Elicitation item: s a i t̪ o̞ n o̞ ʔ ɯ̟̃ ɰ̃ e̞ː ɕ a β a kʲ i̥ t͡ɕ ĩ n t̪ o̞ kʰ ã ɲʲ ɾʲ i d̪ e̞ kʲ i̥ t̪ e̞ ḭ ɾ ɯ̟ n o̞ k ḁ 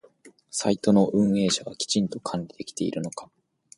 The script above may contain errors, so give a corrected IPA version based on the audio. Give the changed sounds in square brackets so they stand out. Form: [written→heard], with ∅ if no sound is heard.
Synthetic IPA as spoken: s a i t̪ o̞ n o̞ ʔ ɯ̟̃ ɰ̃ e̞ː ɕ a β a kʲ i̥ t͡ɕ ĩ n t̪ o̞ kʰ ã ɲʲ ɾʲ i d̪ e̞ kʲ i̥ t̪ e̞ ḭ ɾ ɯ̟ n o̞ k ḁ